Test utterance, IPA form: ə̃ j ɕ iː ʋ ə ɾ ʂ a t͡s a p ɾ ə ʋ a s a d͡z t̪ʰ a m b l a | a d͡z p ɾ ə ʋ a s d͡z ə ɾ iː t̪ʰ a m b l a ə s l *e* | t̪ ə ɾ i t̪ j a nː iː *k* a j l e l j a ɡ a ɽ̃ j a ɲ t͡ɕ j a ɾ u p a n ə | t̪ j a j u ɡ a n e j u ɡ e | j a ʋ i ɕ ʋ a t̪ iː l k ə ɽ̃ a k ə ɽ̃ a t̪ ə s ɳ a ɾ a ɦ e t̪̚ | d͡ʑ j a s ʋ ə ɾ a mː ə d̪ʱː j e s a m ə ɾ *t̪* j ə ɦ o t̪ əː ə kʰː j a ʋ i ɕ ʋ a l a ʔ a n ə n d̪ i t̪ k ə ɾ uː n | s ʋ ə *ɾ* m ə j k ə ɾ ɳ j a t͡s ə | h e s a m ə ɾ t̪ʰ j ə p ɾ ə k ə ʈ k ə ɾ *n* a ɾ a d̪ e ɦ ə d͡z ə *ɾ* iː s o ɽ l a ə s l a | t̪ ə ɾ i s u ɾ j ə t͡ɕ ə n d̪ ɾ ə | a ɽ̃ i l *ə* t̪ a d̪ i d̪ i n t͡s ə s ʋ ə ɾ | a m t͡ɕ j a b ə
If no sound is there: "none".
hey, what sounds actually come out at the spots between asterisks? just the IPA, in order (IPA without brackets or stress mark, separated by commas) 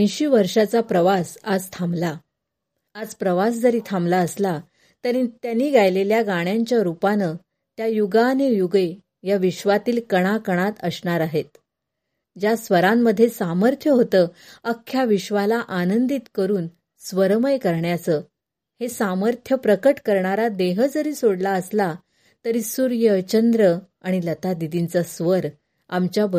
a, ɡ, t̪ʰ, ɾ, ɳ, ɾ, ə